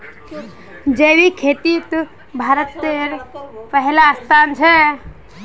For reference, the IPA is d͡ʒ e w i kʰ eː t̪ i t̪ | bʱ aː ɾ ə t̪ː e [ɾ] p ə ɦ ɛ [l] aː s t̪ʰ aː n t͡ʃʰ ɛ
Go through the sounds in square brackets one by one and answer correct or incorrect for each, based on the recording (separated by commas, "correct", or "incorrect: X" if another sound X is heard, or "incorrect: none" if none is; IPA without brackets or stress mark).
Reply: correct, correct